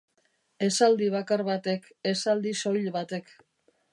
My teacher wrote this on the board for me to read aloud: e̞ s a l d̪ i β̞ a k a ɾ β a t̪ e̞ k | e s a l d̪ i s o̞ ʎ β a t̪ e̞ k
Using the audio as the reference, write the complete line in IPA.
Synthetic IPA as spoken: e̞ s a l d̪ i β̞ a k a ɾ β a t̪ e̞ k | e s a l d̪ i s o̞ ʎ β a t̪ e̞ k